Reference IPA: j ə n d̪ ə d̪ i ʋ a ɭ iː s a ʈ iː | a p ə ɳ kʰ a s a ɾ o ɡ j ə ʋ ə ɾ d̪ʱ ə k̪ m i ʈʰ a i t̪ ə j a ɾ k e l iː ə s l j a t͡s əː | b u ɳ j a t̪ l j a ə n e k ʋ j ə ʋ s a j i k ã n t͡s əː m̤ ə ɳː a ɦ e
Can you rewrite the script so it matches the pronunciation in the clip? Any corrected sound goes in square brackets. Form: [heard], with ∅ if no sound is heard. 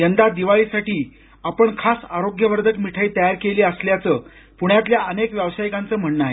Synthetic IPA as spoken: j ə n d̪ [a] d̪ i ʋ a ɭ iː s a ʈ iː | a p ə ɳ kʰ a s a ɾ o ɡ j ə ʋ ə ɾ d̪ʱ ə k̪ m i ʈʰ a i t̪ ə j a ɾ k e l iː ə s l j a t͡s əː | [p] u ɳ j a t̪ l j a ə n e k ʋ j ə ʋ s a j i k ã n t͡s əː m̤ ə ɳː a ɦ e